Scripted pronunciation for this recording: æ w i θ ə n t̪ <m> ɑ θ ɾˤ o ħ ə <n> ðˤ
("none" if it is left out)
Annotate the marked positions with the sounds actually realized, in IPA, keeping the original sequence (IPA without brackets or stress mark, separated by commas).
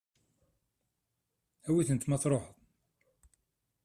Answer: m, none